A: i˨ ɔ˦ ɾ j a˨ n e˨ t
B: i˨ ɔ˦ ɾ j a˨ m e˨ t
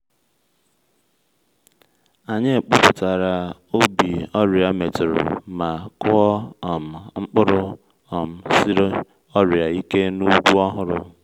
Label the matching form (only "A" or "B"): B